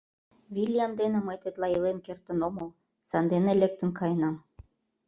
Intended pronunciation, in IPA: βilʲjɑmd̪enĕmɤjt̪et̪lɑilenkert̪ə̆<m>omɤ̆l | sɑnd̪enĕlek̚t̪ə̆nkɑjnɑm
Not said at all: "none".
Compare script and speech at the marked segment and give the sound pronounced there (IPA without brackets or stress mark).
n